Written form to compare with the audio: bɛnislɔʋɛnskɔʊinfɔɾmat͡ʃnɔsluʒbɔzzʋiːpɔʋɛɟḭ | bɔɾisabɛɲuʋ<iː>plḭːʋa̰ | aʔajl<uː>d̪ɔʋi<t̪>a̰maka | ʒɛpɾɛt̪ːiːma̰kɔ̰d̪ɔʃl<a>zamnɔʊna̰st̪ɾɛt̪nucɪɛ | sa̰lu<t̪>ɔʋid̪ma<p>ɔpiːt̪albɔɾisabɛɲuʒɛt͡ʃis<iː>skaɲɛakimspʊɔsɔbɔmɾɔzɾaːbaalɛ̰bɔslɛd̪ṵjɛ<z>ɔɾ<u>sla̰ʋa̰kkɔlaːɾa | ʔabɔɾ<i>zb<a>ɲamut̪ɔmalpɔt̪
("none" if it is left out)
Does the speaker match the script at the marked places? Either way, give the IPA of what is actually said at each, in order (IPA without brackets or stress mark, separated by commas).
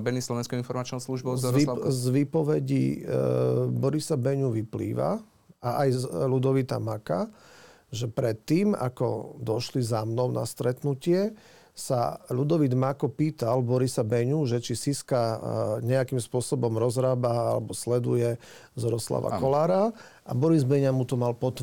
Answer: i, u, t̪, i, d̪, k, i, z, ɔ, i, ɛ